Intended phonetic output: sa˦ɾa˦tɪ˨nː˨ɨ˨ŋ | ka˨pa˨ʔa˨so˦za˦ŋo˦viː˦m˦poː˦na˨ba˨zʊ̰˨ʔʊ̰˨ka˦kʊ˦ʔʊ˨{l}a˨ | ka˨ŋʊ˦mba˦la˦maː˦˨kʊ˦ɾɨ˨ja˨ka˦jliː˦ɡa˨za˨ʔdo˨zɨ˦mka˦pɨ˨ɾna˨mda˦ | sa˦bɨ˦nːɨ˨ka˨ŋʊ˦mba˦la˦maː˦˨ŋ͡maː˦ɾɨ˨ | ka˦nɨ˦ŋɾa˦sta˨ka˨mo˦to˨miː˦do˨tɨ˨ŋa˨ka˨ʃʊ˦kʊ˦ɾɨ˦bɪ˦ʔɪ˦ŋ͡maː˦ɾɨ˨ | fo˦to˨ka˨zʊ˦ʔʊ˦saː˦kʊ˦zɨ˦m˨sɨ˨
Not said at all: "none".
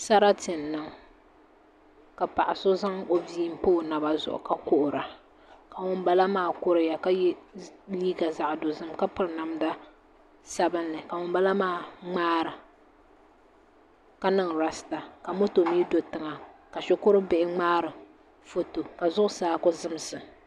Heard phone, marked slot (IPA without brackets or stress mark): ɾ